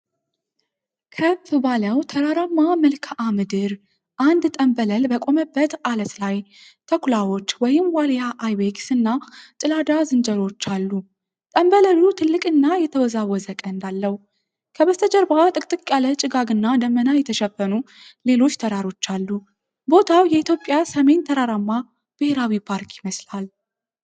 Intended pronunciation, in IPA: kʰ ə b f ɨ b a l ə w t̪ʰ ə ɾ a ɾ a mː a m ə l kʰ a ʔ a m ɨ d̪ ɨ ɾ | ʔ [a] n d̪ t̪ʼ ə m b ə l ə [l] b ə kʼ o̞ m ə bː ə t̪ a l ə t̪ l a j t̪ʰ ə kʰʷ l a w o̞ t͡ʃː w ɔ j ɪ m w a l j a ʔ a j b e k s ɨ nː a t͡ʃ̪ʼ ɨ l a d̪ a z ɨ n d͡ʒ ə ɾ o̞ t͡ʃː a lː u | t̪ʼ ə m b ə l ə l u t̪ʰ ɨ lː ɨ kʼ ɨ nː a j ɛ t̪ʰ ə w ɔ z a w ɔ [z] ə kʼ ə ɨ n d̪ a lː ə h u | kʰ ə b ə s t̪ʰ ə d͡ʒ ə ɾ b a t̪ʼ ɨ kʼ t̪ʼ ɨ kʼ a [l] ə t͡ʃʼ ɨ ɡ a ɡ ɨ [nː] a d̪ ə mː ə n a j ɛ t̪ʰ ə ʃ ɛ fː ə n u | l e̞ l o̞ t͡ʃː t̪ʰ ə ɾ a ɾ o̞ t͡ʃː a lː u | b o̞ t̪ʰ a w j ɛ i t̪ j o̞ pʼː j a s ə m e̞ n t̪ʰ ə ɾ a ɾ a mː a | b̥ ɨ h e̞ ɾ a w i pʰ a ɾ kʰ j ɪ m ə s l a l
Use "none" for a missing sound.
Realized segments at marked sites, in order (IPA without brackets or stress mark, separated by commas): a, l, z, l, nː